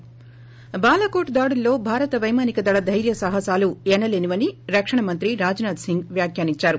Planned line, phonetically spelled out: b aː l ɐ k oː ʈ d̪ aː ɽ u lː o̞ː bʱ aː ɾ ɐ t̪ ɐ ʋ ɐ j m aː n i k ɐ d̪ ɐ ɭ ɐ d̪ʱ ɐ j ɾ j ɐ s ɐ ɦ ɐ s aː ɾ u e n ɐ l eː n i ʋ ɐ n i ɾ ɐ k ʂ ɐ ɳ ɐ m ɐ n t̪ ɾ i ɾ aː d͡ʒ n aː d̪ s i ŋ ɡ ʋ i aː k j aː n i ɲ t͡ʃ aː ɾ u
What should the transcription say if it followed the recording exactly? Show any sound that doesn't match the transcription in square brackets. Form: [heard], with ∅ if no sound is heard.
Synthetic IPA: b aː l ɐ k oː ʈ d̪ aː ɽ u lː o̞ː bʱ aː ɾ ɐ t̪ ɐ ʋ ɐ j m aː n i k ɐ d̪ ɐ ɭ ɐ d̪ʱ ɐ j ɾ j ɐ s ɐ ɦ ɐ s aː [l] u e n ɐ l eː n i ʋ ɐ n i ɾ ɐ k ʂ ɐ ɳ ɐ m ɐ n t̪ ɾ i ɾ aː d͡ʒ n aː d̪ s i ŋ ɡ ʋ [j] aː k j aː n i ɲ t͡ʃ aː ɾ u